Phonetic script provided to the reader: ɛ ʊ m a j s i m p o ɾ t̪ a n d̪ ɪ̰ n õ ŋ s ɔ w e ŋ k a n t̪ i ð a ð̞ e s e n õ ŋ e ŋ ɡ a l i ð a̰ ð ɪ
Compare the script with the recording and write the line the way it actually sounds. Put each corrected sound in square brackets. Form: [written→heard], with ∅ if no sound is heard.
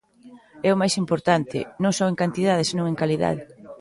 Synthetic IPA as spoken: ɛ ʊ m a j s i m p o ɾ t̪ a n [d̪→t̪] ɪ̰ n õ ŋ s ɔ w e ŋ k a n t̪ i ð a ð̞ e s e n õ ŋ e ŋ [ɡ→k] a l i ð a̰ ð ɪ